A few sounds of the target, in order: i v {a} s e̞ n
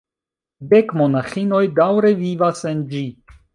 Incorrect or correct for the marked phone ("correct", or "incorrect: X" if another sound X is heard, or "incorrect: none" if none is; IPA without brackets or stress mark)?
correct